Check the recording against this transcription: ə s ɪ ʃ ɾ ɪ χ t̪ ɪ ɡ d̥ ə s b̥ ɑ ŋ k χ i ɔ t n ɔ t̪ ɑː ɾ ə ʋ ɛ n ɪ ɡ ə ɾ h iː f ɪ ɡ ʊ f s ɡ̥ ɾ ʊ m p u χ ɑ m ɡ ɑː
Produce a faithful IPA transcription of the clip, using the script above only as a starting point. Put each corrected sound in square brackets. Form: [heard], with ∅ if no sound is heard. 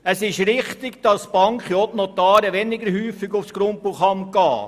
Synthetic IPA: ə s ɪ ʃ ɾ ɪ χ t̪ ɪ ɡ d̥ [ɑ] s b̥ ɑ ŋ k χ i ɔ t n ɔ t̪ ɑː ɾ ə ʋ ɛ n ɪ ɡ ə ɾ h [yː] f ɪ ɡ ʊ f s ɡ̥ ɾ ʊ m p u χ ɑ m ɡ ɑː